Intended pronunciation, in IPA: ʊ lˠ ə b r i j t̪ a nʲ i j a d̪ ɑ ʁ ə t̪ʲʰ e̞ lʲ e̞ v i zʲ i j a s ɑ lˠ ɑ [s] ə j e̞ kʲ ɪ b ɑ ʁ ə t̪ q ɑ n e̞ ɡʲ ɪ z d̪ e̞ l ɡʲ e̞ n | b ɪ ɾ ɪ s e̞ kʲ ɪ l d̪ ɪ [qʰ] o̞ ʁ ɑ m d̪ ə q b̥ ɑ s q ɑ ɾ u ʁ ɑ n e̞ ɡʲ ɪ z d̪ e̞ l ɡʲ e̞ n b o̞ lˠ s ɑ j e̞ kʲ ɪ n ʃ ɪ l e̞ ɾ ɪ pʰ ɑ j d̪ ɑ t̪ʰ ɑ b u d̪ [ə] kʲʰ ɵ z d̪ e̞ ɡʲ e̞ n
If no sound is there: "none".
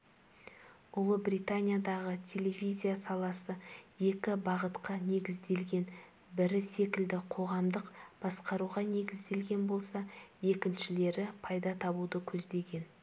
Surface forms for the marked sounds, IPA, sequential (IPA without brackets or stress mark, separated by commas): s, qʰ, ə